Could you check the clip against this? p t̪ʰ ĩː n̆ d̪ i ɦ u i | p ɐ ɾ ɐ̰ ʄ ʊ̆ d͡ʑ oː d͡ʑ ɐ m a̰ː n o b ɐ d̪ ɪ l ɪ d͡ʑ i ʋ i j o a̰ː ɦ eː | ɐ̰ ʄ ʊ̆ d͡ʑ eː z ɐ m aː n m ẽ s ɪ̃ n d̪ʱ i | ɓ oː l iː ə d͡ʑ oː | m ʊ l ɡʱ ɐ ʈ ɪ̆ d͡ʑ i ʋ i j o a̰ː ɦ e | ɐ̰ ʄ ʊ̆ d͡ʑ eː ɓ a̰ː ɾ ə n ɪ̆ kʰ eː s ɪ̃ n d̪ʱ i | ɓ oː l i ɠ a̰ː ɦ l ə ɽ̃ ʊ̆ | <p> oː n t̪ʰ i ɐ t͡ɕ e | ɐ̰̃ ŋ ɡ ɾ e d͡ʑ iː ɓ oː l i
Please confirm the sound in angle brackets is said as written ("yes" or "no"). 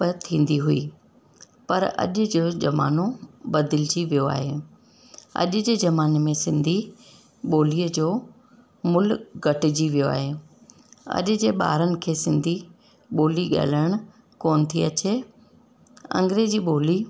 no